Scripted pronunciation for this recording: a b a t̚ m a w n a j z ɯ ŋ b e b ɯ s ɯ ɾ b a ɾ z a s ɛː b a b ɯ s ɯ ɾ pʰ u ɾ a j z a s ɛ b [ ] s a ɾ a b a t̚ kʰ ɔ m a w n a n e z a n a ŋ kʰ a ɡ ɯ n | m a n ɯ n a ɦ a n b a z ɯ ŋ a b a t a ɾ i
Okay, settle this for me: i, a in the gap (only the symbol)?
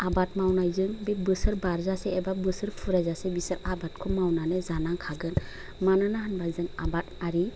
i